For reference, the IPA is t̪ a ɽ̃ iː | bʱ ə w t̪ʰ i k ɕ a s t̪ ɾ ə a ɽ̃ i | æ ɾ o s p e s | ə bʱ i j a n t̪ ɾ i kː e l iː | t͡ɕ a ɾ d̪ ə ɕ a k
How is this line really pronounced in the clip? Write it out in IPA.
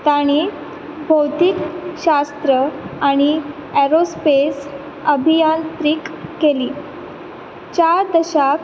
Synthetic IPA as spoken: t̪ a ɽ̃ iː | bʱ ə w t̪ i k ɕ a s t̪ ɾ ə a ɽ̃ i | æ ɾ o s p e s | ə bʱ i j a n t̪ ɾ i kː e l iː | t͡ɕ a ɾ d̪ ə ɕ a k